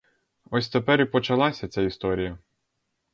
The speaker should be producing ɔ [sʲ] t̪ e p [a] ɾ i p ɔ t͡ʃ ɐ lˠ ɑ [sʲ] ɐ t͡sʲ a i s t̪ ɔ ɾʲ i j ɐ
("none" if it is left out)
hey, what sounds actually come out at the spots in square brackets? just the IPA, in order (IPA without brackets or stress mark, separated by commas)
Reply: sʲ, ɛ, sʲ